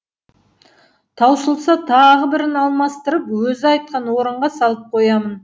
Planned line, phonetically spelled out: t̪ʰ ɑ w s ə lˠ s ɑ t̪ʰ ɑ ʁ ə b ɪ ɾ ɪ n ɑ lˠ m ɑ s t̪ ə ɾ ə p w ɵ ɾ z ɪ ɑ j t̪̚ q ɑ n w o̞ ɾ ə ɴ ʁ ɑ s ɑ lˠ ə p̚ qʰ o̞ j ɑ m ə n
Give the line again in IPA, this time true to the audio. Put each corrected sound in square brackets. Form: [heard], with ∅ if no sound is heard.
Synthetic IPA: t̪ʰ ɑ w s ə lˠ s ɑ t̪ʰ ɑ ʁ ə b ɪ ɾ ɪ n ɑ lˠ m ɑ s t̪ ə ɾ ə p w ɵ [∅] z ɪ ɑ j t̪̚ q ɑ n w o̞ ɾ ə ɴ ʁ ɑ s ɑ lˠ ə p̚ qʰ o̞ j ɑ m ə n

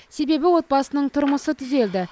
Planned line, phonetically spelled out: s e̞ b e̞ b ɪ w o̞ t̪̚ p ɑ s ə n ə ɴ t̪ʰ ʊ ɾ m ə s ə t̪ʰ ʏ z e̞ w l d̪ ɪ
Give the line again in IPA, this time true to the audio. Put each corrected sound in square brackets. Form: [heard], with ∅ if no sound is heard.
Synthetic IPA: s e̞ b e̞ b ɪ w o̞ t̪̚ [b] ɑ s ə n ə ɴ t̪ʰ ʊ ɾ m ə s ə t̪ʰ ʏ z e̞ [∅] l d̪ ɪ

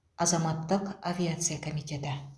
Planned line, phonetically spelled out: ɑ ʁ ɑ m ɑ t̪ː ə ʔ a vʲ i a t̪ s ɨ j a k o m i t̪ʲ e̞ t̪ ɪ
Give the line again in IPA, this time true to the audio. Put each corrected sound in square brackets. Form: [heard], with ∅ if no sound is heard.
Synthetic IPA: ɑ [z] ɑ m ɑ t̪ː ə [q] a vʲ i a t̪ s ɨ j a k o m i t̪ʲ e̞ t̪ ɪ

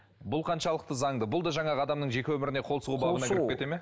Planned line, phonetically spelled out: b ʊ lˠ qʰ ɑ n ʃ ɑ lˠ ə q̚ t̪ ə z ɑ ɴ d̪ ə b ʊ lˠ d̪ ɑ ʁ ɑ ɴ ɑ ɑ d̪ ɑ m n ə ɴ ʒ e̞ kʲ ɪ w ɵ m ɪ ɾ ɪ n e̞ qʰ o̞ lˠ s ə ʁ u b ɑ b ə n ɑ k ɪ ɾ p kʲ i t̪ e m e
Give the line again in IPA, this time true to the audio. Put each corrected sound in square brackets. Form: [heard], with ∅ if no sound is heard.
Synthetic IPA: b ʊ lˠ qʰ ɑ n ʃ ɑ lˠ ə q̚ t̪ ə z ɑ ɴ d̪ ə b ʊ lˠ d̪ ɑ [ʒ] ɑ ɴ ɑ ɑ d̪ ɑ m n ə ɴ ʒ e̞ kʲ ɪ w ɵ m ɪ ɾ ɪ n e̞ qʰ o̞ lˠ s ə ʁ u b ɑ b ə n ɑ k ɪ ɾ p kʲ [e] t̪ e m e

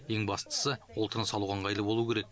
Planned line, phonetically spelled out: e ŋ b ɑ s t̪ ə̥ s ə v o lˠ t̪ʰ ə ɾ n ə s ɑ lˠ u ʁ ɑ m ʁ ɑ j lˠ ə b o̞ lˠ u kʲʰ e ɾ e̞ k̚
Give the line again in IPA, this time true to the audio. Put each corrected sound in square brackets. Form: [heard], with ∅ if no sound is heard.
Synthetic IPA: e ŋ b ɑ s t̪ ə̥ s ə [w] o lˠ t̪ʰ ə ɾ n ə s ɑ lˠ u ʁ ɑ [ɴ] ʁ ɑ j lˠ ə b o̞ lˠ u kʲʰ e ɾ e̞ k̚

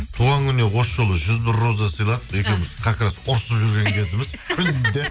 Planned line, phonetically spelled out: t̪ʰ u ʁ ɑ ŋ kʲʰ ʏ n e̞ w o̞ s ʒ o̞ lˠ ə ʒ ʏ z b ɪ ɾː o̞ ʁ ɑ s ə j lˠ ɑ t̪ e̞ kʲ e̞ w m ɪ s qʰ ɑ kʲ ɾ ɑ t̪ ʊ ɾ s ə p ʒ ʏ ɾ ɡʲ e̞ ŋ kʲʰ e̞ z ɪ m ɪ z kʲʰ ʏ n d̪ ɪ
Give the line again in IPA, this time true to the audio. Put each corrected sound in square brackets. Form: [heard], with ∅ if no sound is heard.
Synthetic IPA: t̪ʰ u ʁ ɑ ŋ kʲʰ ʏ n e̞ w o̞ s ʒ o̞ lˠ ə ʒ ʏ z b ɪ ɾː o̞ [z] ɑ s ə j lˠ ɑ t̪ e̞ kʲ e̞ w m ɪ [z] qʰ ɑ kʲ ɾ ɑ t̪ ʊ ɾ s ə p ʒ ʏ ɾ ɡʲ e̞ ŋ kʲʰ e̞ z ɪ m ɪ z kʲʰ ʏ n d̪ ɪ

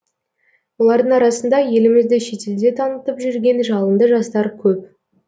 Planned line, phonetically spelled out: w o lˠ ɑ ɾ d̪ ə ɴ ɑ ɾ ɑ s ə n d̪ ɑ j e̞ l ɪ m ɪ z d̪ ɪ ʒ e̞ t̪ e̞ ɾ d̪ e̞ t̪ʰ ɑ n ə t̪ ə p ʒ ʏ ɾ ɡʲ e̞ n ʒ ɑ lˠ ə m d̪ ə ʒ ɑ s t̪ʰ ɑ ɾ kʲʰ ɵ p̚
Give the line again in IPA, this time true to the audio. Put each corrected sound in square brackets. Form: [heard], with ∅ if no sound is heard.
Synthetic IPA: w o lˠ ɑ ɾ d̪ ə ɴ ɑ ɾ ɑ s ə n d̪ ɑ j e̞ l ɪ m ɪ z d̪ ɪ [ʃ] e̞ t̪ e̞ [l] d̪ e̞ t̪ʰ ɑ n ə t̪ ə p ʒ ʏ ɾ ɡʲ e̞ n ʒ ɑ lˠ ə [n] d̪ ə ʒ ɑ s [t̪] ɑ ɾ kʲʰ ɵ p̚

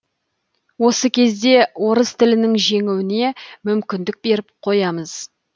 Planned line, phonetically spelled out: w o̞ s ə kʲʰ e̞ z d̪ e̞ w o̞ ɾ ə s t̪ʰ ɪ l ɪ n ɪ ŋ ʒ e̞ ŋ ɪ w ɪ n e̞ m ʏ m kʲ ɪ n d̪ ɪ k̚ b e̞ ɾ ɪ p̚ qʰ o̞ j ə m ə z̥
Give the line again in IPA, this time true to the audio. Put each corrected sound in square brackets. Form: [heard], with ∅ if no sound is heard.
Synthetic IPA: w o̞ s ə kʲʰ e̞ z d̪ e̞ w o̞ ɾ ə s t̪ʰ ɪ l ɪ n ɪ ŋ ʒ e̞ ŋ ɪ w ɪ n e̞ m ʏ m kʲ ɪ n d̪ ɪ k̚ b e̞ ɾ ɪ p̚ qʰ o̞ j [ɑ] m ə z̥

